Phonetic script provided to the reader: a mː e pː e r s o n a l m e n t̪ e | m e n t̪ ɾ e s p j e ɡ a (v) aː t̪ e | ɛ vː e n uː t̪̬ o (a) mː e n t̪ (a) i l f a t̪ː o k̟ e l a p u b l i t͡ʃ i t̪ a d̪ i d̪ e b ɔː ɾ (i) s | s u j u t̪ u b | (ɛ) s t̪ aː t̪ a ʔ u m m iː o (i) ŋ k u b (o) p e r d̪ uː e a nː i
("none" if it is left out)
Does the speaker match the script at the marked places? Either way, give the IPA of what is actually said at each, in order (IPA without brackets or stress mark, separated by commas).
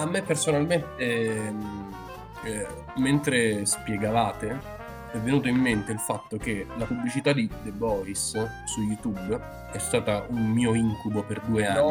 v, i, e, i, ɛ, i, o